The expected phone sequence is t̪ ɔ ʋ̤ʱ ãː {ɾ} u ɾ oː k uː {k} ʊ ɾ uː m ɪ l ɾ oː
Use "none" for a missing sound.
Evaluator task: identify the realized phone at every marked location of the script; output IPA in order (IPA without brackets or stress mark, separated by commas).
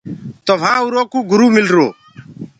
none, ɡ